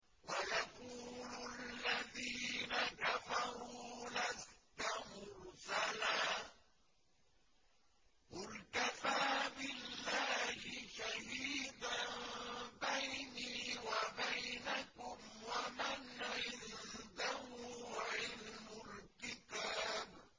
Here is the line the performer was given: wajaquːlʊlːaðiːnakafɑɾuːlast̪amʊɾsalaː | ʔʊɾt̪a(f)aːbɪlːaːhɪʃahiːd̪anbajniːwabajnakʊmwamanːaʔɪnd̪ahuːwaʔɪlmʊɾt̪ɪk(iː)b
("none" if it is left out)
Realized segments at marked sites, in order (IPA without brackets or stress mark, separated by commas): f, aː